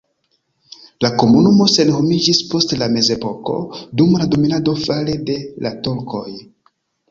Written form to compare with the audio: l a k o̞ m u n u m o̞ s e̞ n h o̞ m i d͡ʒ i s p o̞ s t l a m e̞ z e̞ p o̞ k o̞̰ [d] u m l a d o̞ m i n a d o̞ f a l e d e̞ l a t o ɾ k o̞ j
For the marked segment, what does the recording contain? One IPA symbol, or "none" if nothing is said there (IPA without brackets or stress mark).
d